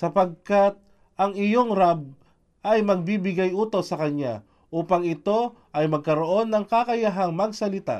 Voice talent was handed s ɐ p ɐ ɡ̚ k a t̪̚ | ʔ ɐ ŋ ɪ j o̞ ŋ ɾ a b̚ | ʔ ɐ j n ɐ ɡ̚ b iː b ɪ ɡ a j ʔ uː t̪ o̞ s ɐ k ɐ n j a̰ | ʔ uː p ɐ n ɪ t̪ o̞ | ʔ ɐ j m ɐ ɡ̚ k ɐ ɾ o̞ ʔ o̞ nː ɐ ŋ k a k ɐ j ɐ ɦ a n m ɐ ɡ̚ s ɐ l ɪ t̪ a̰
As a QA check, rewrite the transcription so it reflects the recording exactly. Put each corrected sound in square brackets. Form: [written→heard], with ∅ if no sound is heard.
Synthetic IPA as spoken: s ɐ p ɐ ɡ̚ k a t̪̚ | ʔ ɐ ŋ ɪ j o̞ ŋ ɾ a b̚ | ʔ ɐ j [n→m] ɐ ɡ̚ b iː b ɪ ɡ a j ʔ uː t̪ o̞ s ɐ k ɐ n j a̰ | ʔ uː p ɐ [n→ŋ] ɪ t̪ o̞ | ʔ ɐ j m ɐ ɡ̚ k ɐ ɾ o̞ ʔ o̞ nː ɐ ŋ k a k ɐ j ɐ ɦ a [n→ŋ] m ɐ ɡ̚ s ɐ l ɪ t̪ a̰